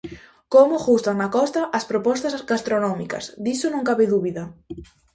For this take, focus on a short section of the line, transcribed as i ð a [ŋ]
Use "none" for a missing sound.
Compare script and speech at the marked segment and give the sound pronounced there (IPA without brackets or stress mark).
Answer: none